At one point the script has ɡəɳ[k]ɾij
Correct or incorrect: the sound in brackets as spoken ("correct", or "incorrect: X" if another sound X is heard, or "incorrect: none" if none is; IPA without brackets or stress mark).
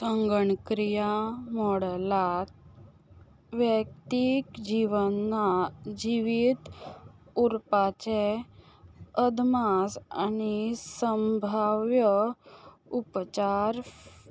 correct